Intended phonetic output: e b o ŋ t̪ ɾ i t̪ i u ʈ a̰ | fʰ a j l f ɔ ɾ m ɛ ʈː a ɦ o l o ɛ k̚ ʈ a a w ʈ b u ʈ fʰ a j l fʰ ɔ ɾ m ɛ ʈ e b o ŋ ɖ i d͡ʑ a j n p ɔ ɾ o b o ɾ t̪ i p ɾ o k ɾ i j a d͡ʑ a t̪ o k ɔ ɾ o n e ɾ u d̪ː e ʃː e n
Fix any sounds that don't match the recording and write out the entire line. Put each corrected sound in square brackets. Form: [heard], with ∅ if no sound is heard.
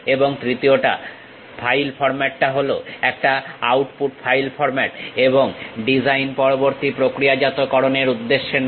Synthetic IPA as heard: e b o ŋ t̪ ɾ i t̪ i [o] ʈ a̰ | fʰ a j l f ɔ ɾ m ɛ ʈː a ɦ o l o ɛ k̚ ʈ a a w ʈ [p] u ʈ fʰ a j l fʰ ɔ ɾ m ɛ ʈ e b o ŋ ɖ i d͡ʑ a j n p ɔ ɾ o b o ɾ t̪ i p ɾ o k ɾ i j a d͡ʑ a t̪ o k ɔ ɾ o n e ɾ u d̪ː e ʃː e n